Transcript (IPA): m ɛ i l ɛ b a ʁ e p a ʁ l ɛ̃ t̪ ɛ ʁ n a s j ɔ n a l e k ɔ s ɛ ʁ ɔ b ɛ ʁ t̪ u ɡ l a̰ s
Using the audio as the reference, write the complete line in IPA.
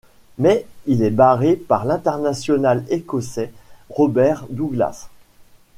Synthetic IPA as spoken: m ɛ i l ɛ b a ʁ e p a ʁ l ɛ̃ t̪ ɛ ʁ n a s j ɔ n a l e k ɔ s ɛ ʁ ɔ b ɛ ʁ d̪ u ɡ l a̰ s